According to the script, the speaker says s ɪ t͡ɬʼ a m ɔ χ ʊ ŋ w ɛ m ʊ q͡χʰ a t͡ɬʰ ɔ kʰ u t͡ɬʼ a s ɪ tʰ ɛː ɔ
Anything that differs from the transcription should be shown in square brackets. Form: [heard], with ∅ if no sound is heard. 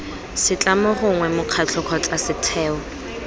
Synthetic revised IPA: s ɪ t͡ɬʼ a m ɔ χ ʊ ŋ w ɛ m ʊ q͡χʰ a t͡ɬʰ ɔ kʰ [ɔ] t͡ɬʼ a s ɪ tʰ ɛː ɔ